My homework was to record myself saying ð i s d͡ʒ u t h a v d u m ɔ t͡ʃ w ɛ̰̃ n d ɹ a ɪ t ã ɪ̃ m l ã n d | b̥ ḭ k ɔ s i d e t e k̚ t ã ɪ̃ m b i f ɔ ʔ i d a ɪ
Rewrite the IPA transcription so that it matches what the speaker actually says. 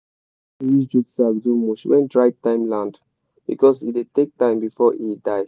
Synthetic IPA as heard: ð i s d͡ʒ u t s a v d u m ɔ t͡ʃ w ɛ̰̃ n d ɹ a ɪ t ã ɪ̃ m l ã n d | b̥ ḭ k ɔ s i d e t e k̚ t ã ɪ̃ m b i f ɔ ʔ i d a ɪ